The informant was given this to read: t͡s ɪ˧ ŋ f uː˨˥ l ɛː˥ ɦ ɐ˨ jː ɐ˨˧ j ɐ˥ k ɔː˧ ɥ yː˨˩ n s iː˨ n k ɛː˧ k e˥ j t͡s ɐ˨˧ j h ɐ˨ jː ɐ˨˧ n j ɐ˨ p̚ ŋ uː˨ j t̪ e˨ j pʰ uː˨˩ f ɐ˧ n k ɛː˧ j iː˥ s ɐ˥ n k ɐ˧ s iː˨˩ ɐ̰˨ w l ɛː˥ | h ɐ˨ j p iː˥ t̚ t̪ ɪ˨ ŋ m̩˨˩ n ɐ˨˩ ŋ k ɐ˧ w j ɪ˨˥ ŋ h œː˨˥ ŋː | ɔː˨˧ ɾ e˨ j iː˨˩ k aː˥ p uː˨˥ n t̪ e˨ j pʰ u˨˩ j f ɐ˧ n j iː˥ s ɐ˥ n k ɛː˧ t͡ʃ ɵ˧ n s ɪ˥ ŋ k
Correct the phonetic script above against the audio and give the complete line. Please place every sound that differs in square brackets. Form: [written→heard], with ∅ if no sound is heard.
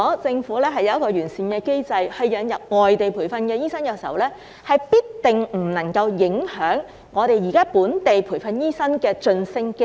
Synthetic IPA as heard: t͡s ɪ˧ ŋ f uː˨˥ l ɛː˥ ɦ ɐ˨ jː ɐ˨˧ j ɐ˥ k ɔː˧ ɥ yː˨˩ n s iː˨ n k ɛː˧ k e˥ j t͡s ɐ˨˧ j h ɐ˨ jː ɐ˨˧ n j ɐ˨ p̚ ŋ [uː˨→ɔː˨] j t̪ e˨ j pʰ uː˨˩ f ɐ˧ n k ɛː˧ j iː˥ s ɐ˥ n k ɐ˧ s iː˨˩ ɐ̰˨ w l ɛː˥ | h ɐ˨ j p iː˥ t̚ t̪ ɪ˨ ŋ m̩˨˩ n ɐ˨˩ ŋ k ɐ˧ w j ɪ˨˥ ŋ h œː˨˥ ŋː | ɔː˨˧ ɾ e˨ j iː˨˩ k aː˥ p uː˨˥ n t̪ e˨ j pʰ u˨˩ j f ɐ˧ n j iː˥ s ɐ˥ n k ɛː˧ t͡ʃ ɵ˧ n s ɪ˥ ŋ k